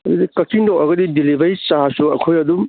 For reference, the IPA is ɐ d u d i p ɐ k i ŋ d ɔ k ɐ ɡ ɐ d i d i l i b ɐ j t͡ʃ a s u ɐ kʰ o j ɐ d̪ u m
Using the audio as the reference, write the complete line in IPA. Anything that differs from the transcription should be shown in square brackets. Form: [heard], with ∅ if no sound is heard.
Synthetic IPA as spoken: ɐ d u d i [k] ɐ k i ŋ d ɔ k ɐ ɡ ɐ d i d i l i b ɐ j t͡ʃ a s u ɐ kʰ o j ɐ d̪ u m